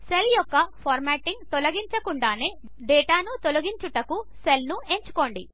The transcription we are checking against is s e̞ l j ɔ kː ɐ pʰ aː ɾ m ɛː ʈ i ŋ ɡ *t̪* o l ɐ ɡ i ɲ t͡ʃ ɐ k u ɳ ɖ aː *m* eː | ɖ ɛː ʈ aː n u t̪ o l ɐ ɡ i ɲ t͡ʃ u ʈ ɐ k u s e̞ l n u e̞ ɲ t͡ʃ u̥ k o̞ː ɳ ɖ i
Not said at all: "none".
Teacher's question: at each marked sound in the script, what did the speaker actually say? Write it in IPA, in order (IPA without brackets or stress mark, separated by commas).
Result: t̪, n